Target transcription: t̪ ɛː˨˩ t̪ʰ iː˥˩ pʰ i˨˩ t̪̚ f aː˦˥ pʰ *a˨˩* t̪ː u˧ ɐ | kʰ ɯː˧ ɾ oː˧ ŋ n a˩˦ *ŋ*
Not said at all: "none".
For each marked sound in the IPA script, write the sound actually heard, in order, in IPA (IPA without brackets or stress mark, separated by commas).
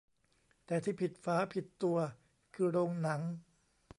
i˨˩, ŋ